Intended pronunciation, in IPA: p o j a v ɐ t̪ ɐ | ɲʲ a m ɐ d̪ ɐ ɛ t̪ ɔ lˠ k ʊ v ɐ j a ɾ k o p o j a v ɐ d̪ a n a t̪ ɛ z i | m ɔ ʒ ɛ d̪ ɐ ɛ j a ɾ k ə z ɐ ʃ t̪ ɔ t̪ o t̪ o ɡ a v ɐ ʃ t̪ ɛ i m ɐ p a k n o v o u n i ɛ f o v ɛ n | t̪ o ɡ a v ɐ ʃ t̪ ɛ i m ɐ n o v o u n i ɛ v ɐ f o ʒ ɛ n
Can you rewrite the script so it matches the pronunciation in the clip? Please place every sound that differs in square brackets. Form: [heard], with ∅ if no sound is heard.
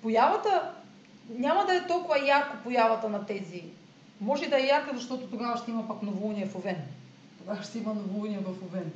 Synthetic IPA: p o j a v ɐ t̪ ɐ | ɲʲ a m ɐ d̪ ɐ ɛ t̪ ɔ lˠ k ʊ v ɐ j a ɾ k o p o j a v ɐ [t̪] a n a t̪ ɛ z i | m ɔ ʒ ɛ d̪ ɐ ɛ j a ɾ k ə z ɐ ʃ t̪ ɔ t̪ o t̪ o ɡ a v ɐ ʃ t̪ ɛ i m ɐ p a k n o v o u n i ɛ f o v ɛ n | t̪ o ɡ a v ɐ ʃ t̪ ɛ i m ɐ n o v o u n i ɛ v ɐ f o [v] ɛ n